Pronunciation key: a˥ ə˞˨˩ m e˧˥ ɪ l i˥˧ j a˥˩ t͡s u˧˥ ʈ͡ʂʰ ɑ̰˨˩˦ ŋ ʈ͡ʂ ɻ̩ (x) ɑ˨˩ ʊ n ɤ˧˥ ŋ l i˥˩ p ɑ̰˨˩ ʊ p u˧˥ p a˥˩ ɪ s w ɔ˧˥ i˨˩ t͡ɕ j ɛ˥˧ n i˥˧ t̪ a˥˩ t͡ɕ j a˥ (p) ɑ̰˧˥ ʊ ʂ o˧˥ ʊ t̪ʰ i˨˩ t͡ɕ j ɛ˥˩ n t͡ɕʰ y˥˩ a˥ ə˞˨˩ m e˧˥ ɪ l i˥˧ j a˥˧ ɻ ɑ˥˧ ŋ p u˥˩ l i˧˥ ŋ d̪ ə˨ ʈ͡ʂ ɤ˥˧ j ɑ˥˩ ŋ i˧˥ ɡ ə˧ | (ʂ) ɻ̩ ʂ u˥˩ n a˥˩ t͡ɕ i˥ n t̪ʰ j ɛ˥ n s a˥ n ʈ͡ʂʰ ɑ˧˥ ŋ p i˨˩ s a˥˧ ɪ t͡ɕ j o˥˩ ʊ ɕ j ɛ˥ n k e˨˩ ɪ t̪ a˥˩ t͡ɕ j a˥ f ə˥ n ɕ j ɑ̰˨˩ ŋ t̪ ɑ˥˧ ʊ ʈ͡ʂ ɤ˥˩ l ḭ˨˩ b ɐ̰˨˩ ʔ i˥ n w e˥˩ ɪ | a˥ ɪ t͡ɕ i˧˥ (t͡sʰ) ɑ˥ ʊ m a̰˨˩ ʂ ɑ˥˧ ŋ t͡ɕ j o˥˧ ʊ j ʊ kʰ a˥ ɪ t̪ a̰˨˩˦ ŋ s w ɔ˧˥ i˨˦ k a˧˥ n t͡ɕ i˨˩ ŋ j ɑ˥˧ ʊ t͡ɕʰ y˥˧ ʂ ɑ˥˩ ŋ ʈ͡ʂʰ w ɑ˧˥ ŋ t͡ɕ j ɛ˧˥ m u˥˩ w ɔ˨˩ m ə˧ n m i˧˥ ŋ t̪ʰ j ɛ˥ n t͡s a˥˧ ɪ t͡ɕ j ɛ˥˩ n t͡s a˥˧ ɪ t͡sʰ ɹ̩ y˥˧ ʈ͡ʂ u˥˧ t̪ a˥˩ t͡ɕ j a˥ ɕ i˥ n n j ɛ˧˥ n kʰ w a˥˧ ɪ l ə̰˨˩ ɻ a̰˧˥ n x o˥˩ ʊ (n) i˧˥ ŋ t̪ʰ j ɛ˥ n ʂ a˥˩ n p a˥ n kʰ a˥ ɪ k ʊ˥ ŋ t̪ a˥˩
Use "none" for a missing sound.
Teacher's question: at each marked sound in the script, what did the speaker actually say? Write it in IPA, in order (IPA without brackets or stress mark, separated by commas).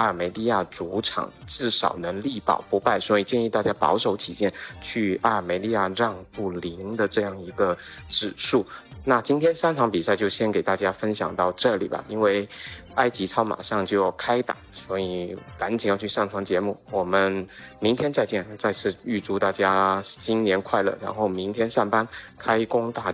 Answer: ʂ, p, ʈ͡ʂ, t͡sʰ, m